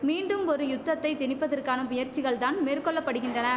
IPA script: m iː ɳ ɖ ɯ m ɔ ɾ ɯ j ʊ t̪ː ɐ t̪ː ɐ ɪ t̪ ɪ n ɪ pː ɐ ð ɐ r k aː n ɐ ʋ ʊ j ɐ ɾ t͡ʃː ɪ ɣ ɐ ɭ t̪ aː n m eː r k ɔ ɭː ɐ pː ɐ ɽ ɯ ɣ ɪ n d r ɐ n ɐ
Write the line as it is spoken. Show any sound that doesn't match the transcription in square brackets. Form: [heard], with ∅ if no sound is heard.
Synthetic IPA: m iː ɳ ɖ ɯ m ɔ ɾ ɯ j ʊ t̪ː ɐ t̪ː ɐ ɪ t̪ ɪ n ɪ pː ɐ ð ɐ r k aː n ɐ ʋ ʊ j ɐ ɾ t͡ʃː ɪ ɣ ɐ ɭ t̪ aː n m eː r k ɔ ɭː ɐ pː ɐ ɽ ɯ ɣ ɪ n d r ɐ n ɐ